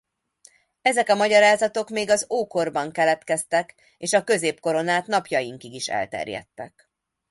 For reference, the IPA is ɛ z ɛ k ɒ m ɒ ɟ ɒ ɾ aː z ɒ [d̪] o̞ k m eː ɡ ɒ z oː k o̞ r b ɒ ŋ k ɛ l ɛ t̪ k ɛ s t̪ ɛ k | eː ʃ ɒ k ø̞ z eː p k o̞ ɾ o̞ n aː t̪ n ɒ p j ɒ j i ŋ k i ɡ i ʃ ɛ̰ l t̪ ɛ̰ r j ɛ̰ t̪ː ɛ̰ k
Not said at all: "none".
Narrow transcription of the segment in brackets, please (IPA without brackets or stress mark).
t̪